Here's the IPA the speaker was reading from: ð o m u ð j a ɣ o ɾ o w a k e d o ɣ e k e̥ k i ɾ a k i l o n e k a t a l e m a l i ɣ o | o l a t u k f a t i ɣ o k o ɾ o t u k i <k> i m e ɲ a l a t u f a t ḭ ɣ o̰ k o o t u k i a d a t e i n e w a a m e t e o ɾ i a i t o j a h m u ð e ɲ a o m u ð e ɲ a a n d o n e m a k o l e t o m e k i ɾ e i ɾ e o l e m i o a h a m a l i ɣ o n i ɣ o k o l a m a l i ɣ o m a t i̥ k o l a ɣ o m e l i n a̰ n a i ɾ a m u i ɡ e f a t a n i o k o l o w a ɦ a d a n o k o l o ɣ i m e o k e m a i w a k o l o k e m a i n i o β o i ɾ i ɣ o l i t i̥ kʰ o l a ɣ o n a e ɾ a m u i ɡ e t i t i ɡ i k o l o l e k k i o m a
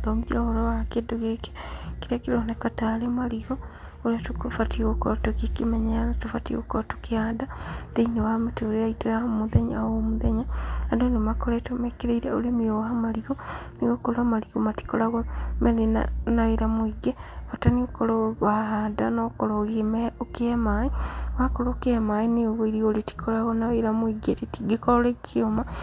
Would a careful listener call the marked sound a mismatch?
no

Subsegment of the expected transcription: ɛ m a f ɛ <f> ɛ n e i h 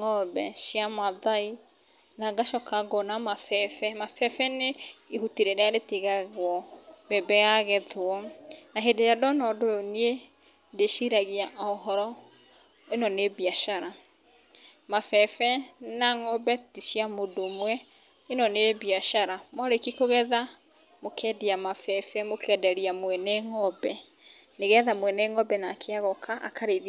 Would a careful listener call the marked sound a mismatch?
no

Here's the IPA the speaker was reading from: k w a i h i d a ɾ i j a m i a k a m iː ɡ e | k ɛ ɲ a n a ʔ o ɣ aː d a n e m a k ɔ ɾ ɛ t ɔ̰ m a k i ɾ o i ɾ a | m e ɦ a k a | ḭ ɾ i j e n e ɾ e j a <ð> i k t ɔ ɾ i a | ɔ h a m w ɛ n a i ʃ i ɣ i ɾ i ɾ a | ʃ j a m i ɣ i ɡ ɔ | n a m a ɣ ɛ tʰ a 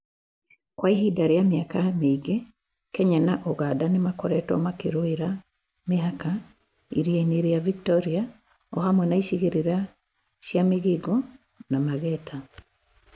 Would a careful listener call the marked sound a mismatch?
yes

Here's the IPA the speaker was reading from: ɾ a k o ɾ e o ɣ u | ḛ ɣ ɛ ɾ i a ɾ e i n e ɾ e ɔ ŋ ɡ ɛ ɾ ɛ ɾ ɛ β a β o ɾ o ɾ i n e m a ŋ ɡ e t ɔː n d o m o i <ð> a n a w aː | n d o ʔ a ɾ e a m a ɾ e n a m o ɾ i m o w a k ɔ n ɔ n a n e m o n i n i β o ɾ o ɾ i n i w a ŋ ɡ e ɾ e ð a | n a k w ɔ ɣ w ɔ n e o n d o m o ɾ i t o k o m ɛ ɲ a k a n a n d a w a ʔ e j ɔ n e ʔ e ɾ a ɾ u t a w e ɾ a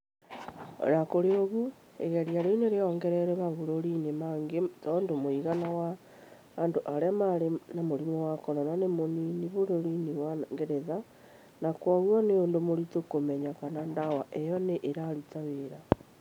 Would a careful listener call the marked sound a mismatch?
yes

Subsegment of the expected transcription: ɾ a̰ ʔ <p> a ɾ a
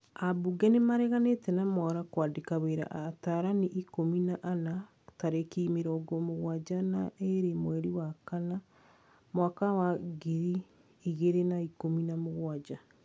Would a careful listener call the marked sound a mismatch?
yes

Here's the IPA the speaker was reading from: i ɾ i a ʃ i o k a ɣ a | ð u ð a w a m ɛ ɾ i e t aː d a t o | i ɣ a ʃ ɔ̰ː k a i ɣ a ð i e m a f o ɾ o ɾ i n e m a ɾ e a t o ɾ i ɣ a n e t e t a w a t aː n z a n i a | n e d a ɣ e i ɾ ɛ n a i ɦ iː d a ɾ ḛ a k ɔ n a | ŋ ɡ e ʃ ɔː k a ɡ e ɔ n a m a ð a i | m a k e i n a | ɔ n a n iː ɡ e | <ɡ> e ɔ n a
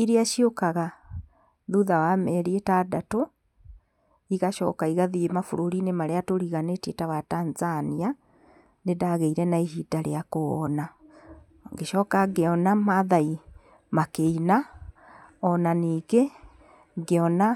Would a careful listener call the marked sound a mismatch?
no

